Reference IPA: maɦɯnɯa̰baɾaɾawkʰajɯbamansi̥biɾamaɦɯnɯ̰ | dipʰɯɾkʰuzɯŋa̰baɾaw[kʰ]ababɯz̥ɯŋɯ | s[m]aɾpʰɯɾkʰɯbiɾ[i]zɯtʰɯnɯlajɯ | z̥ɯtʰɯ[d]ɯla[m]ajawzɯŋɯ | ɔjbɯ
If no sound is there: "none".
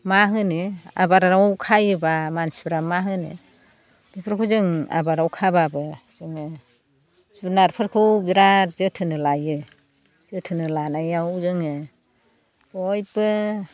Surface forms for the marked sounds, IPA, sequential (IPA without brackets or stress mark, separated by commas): kʰ, n, a, n, n